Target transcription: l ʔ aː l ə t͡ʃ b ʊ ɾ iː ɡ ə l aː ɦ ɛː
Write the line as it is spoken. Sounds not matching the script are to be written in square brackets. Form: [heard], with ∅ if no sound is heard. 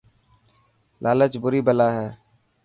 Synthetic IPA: l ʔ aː l ə t͡ʃ b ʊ ɾ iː [b] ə l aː ɦ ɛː